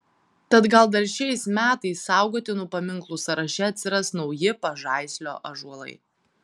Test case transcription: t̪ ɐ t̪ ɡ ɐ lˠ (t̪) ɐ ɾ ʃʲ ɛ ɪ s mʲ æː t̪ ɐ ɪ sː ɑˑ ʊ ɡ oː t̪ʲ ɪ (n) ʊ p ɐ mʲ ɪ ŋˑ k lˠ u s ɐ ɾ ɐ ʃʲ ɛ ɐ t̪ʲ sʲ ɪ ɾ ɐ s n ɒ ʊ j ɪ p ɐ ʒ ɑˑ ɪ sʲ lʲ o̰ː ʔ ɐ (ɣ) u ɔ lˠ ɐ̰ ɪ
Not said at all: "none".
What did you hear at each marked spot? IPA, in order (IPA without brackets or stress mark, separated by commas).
d̪, n, ʒ